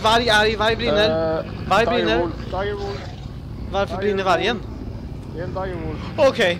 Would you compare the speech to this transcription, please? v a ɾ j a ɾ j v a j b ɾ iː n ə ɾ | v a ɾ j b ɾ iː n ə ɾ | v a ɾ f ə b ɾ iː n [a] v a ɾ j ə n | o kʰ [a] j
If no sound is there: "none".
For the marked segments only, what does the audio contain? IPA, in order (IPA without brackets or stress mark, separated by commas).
ə, e